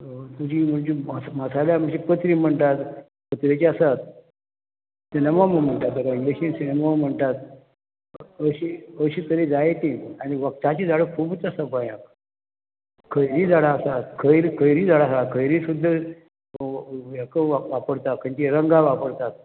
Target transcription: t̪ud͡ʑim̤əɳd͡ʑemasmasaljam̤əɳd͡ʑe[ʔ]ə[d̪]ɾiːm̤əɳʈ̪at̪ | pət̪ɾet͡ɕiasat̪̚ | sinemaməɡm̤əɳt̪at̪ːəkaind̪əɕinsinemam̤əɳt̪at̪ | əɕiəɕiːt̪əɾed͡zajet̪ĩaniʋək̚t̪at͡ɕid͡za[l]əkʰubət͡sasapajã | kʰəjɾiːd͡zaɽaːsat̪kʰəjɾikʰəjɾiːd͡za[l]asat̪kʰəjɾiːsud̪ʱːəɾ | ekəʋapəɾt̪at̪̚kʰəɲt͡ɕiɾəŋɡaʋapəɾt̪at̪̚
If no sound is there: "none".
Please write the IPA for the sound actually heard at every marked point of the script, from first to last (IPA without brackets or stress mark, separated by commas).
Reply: p, t̪, ɽ, ɽ